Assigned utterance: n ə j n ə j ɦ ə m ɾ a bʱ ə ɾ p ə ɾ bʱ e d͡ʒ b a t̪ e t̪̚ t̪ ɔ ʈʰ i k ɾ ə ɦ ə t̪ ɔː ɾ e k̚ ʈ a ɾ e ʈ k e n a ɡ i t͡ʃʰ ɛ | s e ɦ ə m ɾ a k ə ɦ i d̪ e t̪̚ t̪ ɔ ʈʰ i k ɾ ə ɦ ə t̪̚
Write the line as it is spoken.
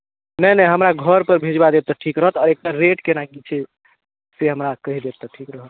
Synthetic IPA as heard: n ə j n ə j ɦ ə m ɾ a ɡʱ ə ɾ p ə ɾ bʱ e d͡ʒ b a d̪ e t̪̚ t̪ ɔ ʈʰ i k ɾ ə ɦ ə t̪ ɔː ɾ e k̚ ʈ a ɾ e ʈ k e n a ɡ i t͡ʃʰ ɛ | s e ɦ ə m ɾ a k ə ɦ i d̪ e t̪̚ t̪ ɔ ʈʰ i k ɾ ə ɦ ə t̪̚